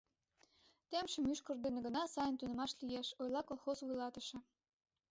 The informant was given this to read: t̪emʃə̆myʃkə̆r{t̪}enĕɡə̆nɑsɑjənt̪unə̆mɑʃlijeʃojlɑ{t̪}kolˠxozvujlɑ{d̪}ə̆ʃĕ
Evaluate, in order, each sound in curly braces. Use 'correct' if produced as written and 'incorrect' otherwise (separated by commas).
incorrect, incorrect, incorrect